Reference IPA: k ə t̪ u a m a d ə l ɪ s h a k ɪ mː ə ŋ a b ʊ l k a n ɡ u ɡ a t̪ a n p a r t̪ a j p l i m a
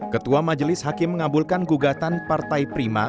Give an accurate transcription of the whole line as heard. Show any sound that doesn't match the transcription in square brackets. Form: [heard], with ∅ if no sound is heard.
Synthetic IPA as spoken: k ə t̪ u a m a [d͡ʒ] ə l ɪ s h a k ɪ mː ə ŋ a b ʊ l k a n ɡ u ɡ a t̪ a n p a r t̪ a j p [ɾ] i m a